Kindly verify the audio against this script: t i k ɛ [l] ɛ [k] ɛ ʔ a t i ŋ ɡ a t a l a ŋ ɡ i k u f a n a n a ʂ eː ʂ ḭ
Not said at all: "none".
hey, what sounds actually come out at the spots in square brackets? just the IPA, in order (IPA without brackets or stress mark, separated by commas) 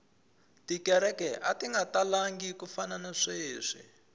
ɾ, k